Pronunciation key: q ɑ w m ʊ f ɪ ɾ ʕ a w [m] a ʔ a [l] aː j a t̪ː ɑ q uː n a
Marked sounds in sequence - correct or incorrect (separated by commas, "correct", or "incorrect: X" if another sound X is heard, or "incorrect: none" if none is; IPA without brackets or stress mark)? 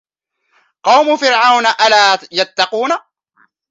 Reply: incorrect: n, correct